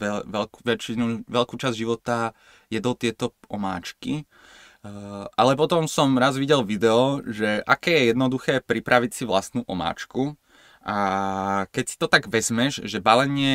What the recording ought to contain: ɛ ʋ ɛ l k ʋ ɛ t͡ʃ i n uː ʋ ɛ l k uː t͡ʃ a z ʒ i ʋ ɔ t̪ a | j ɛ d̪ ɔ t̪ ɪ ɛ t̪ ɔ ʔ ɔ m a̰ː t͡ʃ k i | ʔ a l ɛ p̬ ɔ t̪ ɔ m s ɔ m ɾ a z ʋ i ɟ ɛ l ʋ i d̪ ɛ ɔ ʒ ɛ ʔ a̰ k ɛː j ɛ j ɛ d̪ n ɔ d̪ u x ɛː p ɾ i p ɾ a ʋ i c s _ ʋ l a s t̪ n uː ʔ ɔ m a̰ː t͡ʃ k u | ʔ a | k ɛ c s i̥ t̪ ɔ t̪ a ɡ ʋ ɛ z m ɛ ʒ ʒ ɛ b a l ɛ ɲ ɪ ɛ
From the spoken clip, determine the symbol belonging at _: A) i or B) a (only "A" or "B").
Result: A